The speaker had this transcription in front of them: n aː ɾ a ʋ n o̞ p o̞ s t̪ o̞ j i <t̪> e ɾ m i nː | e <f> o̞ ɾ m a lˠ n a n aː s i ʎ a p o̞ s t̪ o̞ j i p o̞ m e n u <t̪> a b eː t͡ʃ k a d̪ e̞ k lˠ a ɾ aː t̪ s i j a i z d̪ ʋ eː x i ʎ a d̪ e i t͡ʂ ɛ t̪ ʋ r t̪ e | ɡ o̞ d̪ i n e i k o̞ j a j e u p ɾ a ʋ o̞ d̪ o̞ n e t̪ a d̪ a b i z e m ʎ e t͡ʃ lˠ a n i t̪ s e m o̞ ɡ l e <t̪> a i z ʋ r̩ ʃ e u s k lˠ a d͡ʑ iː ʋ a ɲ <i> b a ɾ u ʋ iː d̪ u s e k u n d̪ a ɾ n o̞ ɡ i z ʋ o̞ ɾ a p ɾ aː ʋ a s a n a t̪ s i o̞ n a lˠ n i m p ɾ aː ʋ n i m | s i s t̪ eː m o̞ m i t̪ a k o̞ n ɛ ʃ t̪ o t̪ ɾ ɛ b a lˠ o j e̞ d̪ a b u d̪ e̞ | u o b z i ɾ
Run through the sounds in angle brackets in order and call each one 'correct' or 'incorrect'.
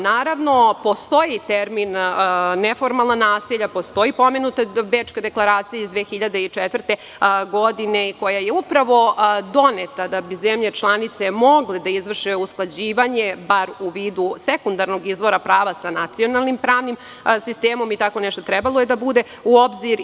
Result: correct, correct, correct, incorrect: d̪, incorrect: e

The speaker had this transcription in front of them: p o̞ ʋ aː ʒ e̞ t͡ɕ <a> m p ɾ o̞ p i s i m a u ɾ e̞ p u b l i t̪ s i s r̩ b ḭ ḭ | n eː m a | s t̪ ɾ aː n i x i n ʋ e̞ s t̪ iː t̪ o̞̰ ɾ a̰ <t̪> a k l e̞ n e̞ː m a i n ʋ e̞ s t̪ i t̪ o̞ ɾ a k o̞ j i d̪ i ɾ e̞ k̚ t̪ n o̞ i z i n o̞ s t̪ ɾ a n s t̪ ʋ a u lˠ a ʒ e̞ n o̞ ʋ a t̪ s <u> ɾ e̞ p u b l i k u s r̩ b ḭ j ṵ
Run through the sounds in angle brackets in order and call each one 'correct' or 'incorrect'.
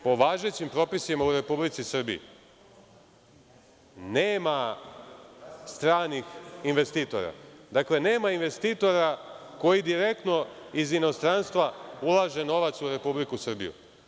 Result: incorrect: i, incorrect: d̪, correct

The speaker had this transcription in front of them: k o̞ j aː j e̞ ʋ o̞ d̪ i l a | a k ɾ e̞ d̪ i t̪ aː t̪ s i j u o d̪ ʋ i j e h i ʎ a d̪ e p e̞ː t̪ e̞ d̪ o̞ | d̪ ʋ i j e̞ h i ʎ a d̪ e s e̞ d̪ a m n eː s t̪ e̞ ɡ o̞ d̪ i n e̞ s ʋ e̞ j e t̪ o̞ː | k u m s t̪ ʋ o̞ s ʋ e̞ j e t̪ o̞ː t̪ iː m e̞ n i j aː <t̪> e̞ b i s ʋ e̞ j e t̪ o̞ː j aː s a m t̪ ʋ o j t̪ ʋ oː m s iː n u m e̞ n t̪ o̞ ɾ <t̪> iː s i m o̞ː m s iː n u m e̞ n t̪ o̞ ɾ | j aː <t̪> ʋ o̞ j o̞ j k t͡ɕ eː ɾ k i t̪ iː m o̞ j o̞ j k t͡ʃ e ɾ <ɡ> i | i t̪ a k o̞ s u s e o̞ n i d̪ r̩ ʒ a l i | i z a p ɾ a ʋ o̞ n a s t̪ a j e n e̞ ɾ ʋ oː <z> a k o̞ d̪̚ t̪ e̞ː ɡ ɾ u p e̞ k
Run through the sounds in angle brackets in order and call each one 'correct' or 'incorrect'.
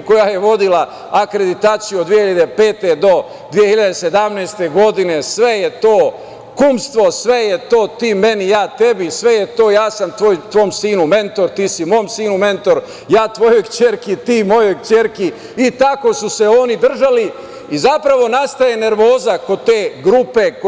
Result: correct, correct, correct, incorrect: k, correct

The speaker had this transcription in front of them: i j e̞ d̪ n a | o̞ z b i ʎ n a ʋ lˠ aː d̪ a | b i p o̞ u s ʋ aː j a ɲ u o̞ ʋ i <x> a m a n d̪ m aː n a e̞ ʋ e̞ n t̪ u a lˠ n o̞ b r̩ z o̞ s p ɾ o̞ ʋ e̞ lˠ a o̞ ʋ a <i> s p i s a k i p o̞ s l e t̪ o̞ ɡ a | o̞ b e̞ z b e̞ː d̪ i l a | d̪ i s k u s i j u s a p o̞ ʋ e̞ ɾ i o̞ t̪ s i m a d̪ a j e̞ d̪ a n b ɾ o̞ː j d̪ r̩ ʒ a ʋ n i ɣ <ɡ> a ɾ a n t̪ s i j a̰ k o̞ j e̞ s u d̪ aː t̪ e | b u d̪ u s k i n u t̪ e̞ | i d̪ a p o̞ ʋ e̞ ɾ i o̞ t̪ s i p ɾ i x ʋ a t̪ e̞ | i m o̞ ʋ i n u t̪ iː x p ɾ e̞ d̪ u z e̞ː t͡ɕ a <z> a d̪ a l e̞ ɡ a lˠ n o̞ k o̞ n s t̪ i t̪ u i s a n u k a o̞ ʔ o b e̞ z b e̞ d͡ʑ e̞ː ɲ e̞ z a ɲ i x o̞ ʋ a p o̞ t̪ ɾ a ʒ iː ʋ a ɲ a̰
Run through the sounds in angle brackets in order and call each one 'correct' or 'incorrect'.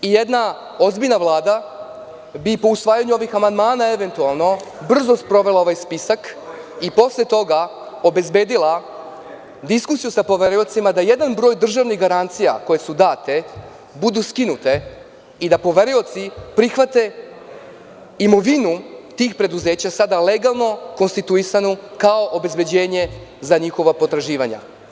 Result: correct, incorrect: j, correct, incorrect: s

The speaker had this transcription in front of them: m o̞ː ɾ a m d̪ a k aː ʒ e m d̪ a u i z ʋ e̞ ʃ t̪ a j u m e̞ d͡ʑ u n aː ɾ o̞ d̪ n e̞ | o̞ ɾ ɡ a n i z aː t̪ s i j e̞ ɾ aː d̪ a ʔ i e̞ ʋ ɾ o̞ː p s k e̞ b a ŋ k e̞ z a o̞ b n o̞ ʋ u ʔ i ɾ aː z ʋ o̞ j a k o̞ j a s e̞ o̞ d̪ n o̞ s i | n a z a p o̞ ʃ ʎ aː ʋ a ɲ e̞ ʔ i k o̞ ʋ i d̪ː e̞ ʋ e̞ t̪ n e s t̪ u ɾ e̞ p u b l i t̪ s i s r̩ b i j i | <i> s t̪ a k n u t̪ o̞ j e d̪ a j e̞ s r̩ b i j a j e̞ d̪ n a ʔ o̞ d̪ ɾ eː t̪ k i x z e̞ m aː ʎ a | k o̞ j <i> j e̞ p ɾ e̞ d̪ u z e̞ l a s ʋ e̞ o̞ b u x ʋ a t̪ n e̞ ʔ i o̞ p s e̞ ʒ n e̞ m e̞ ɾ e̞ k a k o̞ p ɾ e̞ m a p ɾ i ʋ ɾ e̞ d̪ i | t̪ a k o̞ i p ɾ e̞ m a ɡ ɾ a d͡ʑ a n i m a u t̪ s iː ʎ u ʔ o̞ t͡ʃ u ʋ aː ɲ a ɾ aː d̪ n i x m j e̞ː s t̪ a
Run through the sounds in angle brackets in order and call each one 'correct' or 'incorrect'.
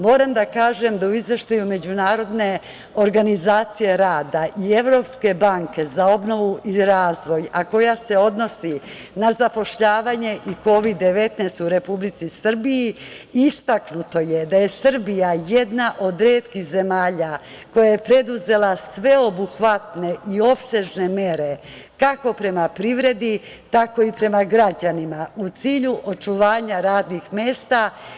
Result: correct, incorrect: a

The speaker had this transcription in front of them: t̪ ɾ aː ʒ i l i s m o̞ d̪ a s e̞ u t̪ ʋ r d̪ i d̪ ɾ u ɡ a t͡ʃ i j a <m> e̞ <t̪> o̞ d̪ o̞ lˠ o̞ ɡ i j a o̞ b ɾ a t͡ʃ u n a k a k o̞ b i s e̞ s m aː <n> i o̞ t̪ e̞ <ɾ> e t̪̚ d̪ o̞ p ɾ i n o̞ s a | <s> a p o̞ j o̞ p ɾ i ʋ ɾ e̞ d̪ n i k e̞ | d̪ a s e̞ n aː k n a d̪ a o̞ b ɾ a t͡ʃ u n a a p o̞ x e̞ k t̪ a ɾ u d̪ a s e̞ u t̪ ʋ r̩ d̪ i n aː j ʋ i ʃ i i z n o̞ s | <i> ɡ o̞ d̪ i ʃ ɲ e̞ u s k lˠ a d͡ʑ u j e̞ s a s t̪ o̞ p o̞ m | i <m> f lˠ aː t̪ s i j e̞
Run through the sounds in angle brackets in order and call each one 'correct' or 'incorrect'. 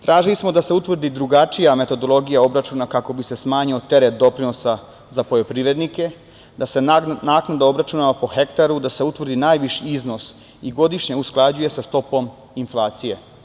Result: correct, correct, incorrect: ɲ, correct, incorrect: z, correct, incorrect: n

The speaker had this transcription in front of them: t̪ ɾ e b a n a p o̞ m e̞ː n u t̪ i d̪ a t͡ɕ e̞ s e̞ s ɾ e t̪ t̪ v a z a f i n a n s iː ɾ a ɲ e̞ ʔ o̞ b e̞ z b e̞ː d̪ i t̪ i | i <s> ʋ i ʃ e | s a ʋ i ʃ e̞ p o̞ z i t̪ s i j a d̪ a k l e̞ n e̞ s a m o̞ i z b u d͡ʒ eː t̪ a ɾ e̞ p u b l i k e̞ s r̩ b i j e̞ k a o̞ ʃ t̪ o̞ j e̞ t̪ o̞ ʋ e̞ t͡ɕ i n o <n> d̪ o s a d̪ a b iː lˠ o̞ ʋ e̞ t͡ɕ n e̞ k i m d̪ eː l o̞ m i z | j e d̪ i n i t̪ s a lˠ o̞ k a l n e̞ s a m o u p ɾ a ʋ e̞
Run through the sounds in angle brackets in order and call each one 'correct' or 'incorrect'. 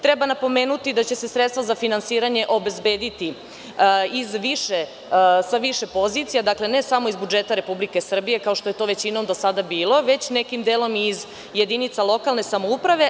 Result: incorrect: z, incorrect: m

